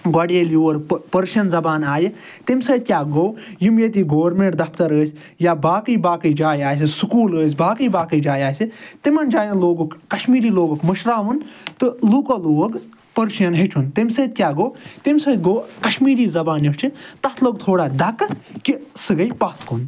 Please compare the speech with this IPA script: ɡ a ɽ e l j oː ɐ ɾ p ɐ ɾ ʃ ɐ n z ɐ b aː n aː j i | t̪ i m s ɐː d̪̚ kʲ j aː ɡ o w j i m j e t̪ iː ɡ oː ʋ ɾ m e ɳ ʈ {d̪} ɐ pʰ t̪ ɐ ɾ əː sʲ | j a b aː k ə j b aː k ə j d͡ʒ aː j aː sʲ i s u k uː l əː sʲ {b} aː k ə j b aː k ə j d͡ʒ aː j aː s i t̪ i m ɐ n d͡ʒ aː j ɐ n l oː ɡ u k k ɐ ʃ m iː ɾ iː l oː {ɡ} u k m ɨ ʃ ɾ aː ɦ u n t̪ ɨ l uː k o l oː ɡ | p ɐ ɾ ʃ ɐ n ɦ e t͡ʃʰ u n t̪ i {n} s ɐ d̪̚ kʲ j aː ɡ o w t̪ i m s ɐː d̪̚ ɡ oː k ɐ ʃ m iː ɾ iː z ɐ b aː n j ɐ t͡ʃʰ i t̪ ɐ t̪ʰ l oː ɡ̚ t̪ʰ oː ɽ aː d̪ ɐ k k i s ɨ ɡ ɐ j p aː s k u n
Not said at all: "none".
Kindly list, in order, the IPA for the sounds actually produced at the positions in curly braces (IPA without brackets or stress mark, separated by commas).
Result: d̪, b, ɡ, m